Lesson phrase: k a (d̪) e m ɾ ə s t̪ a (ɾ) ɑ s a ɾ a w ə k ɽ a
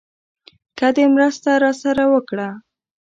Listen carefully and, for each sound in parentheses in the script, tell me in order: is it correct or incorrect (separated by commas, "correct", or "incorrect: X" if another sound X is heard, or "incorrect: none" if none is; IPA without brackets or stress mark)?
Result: correct, correct